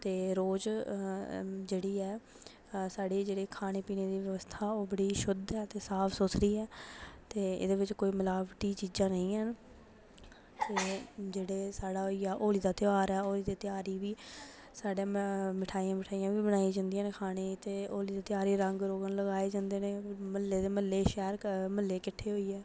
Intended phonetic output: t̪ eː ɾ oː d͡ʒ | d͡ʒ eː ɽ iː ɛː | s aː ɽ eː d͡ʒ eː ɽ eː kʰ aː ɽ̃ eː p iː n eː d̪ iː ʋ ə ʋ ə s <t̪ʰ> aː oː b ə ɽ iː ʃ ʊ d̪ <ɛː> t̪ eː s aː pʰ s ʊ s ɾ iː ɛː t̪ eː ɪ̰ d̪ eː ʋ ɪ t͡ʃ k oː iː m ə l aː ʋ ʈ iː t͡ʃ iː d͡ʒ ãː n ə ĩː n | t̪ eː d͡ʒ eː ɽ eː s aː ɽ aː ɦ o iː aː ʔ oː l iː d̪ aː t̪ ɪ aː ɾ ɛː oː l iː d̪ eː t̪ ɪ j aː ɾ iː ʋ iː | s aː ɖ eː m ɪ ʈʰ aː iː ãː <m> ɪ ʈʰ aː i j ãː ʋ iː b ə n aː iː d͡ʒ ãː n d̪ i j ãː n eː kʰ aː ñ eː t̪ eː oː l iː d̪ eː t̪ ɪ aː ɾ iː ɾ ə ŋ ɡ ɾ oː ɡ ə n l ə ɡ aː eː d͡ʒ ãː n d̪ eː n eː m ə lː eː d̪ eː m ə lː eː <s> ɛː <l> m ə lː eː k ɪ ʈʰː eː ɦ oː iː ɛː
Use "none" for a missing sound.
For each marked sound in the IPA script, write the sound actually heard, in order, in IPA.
t̪ʰ, ɛː, m, ʃ, ɾ

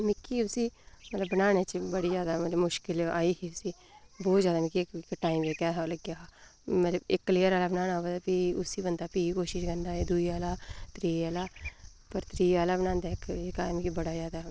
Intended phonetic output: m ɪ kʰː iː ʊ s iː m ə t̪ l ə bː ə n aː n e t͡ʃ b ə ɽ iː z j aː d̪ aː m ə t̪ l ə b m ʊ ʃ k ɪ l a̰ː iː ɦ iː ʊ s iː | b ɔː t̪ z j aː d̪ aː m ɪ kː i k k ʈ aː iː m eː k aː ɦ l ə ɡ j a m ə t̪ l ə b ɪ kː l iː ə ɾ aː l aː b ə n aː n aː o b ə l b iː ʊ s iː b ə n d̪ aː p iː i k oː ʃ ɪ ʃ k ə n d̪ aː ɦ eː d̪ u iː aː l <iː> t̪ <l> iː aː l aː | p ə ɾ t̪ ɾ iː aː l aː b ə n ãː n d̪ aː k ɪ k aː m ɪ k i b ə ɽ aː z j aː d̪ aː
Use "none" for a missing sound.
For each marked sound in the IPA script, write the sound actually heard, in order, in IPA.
aː, ɾ

